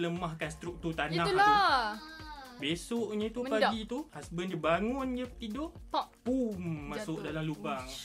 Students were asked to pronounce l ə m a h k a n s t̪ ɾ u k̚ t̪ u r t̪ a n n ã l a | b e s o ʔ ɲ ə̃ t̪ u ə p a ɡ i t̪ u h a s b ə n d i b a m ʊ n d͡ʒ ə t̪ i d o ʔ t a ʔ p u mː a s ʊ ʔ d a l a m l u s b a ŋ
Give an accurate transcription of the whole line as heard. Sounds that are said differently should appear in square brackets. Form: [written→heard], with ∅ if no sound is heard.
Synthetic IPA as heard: l ə m a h k a n s t̪ ɾ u k̚ t̪ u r t̪ a n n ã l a | b e s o ʔ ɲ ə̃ t̪ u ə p a ɡ i t̪ u h a s b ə n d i b a [m→ŋ] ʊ n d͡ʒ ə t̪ i d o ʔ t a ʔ p u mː a s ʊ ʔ d a l a m l u [s→∅] b a ŋ